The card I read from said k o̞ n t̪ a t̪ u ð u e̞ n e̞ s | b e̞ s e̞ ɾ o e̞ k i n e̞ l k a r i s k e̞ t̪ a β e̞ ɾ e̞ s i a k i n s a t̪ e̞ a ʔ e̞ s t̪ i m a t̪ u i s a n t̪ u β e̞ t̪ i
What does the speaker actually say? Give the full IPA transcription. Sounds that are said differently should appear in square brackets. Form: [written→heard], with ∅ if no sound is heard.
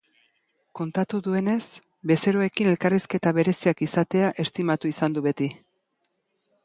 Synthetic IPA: k o̞ n t̪ a t̪ u ð u e̞ n e̞ s | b e̞ s e̞ ɾ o e̞ k i n e̞ l k a r i s k e̞ t̪ a β e̞ ɾ e̞ s i a k i [n→∅] s a t̪ e̞ a ʔ e̞ s t̪ i m a t̪ u i s a n [t̪→d̪] u β e̞ t̪ i

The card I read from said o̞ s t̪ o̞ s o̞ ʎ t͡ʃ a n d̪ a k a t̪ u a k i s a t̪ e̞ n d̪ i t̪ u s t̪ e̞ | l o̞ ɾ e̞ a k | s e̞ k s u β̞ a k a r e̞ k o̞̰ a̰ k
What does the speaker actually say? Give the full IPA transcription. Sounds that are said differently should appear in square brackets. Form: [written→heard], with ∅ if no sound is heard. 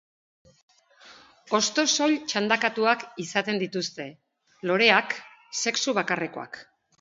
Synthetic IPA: o̞ s t̪ o̞ s o̞ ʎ t͡ʃ a n d̪ a k a t̪ u a k i s a t̪ e̞ n d̪ i t̪ u s t̪ e̞ | l o̞ ɾ e̞ a k | s e̞ k s u β̞ a k a r e̞ k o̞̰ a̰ k

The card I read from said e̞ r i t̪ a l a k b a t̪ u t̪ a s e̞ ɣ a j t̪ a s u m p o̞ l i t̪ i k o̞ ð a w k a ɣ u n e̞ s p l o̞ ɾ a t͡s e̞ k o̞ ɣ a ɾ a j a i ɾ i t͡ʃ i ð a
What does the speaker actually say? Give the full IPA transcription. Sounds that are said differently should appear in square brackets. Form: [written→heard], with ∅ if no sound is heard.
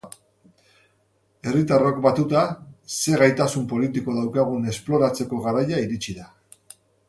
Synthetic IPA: e̞ r i t̪ a [l→r] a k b a t̪ u t̪ a s e̞ ɣ a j t̪ a s u m p o̞ l i t̪ i k o̞ ð a w k a ɣ u n e̞ s p l o̞ ɾ a t͡s e̞ k o̞ ɣ a ɾ a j a i ɾ i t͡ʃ i ð a

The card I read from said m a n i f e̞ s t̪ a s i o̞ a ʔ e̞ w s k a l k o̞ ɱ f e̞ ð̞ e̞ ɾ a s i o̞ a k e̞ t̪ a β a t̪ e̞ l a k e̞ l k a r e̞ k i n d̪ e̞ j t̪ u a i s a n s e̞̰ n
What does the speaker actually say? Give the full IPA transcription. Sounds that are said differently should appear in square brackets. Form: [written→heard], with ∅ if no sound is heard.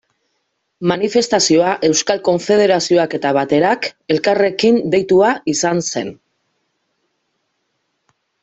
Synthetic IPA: m a n i f e̞ s t̪ a s i o̞ a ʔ e̞ w s k a l k o̞ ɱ f e̞ ð̞ e̞ ɾ a s i o̞ a k e̞ t̪ a β a t̪ e̞ [l→ɾ] a k e̞ l k a r e̞ k i n d̪ e̞ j t̪ u a i s a n s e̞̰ n

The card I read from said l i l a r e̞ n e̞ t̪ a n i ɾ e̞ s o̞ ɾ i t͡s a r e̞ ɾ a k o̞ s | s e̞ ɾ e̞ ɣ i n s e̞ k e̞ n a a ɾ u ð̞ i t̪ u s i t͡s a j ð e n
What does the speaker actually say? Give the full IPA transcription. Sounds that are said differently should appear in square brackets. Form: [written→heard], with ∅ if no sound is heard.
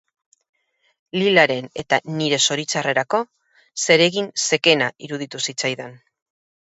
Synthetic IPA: l i l a [r→ɾ] e̞ n e̞ t̪ a n i ɾ e̞ s o̞ ɾ i t͡s a r e̞ ɾ a k o̞ [s→∅] | s e̞ ɾ e̞ ɣ i n s e̞ k e̞ n a [a→i] ɾ u ð̞ i t̪ u s i t͡s a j ð e n

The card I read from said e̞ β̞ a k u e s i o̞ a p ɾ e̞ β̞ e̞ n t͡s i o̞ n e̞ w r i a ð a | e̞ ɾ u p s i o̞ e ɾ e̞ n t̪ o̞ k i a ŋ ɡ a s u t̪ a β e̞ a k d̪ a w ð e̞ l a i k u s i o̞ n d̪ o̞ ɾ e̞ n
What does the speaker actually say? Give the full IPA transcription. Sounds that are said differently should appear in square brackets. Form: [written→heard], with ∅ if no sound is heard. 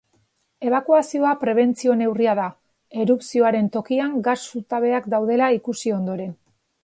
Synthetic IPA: e̞ β̞ a k u [e→a] s i o̞ a p ɾ e̞ β̞ e̞ n t͡s i o̞ n e̞ w r i a ð a | e̞ ɾ u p s i o̞ [e→a] ɾ e̞ n t̪ o̞ k i a ŋ ɡ a s u t̪ a β e̞ a k d̪ a w ð e̞ l a i k u s i o̞ n d̪ o̞ ɾ e̞ n

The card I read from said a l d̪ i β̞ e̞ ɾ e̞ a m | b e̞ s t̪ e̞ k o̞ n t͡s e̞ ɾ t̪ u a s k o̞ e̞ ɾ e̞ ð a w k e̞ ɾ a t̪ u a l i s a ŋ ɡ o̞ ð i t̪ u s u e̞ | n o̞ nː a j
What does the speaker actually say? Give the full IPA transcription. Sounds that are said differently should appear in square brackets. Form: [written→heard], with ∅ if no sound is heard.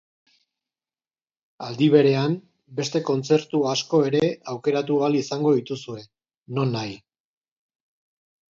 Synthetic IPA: a l d̪ i β̞ e̞ ɾ e̞ a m | b e̞ s t̪ e̞ k o̞ n t͡s e̞ ɾ t̪ u a s k o̞ e̞ ɾ e̞ [ð→∅] a w k e̞ ɾ a t̪ u a l i s a ŋ ɡ o̞ ð i t̪ u s u e̞ | n o̞ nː a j

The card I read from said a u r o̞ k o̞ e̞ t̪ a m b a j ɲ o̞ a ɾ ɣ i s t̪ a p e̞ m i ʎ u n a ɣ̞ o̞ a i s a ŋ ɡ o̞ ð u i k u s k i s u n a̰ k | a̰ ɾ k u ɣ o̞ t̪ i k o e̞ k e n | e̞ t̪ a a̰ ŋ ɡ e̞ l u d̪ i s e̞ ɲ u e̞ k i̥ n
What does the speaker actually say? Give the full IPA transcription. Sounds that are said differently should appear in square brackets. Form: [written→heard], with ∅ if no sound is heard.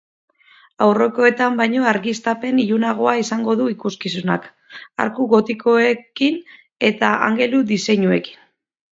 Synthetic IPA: a [u→w] r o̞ k o̞ e̞ t̪ a m b a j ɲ o̞ a ɾ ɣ i s t̪ a p e̞ [m→n] i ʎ u n a ɣ̞ o̞ a i s a ŋ ɡ o̞ ð u i k u s k i s u n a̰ k | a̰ ɾ k u ɣ o̞ t̪ i k o e̞ k [e→i] n | e̞ t̪ a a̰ ŋ ɡ e̞ l u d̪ i s e̞ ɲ u e̞ k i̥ n

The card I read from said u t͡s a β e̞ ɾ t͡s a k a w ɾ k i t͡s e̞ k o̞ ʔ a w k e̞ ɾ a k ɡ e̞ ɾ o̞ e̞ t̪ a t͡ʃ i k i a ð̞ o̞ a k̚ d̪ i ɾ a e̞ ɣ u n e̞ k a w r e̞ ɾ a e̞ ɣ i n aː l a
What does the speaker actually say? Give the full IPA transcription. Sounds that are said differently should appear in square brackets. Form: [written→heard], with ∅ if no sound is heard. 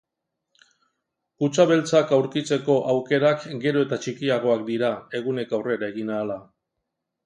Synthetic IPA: u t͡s a β e̞ [ɾ→l] t͡s a k a w ɾ k i t͡s e̞ k o̞ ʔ a w k e̞ ɾ a k ɡ e̞ ɾ o̞ e̞ t̪ a t͡ʃ i k i a [ð̞→ɣ̞] o̞ a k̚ d̪ i ɾ a e̞ ɣ u n e̞ k a w r e̞ ɾ a e̞ ɣ i n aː l a

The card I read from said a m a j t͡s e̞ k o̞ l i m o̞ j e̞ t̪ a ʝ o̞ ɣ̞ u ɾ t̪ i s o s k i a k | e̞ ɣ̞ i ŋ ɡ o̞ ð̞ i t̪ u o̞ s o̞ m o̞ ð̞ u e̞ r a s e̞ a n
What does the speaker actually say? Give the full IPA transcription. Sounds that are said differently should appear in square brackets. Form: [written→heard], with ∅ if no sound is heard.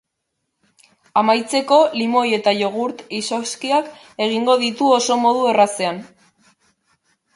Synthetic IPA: a m a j t͡s e̞ k o̞ l i m o̞ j e̞ t̪ a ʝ o̞ ɣ̞ u ɾ t̪ i s o s k i a k | e̞ ɣ̞ i ŋ ɡ o̞ ð̞ i t̪ u o̞ s o̞ m o̞ ð̞ u e̞ r a s e̞ a n

